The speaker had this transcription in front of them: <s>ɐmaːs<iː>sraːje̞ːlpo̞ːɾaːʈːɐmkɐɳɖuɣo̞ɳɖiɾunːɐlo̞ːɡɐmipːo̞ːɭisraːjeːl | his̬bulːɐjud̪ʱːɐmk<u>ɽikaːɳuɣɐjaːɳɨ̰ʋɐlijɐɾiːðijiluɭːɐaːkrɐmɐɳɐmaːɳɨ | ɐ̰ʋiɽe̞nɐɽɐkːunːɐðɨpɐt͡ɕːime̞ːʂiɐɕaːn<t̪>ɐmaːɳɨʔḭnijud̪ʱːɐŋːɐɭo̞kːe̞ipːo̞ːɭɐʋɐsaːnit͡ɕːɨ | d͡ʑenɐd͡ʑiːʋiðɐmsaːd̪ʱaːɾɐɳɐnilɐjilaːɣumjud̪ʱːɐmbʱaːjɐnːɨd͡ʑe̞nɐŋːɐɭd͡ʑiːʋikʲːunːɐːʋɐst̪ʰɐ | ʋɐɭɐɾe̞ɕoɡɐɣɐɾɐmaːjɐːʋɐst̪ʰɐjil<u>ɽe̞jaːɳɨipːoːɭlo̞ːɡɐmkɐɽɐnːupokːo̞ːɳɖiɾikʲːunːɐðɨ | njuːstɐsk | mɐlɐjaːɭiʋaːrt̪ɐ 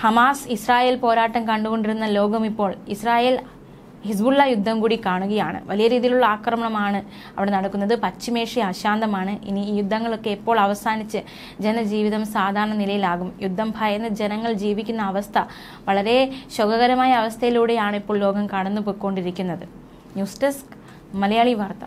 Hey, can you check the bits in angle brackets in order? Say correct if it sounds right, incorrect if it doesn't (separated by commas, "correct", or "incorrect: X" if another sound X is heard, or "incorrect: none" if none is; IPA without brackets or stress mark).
incorrect: h, incorrect: i, incorrect: uː, incorrect: d̪, incorrect: uː